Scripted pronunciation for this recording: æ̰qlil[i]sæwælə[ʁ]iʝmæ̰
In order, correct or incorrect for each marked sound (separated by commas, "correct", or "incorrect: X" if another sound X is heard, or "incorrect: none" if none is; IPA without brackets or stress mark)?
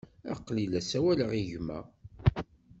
incorrect: æ, correct